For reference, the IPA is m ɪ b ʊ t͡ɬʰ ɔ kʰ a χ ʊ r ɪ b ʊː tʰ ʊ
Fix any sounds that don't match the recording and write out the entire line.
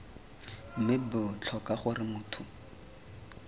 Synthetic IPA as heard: m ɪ b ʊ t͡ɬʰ ɔ k a χ ʊ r ɪ m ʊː tʰ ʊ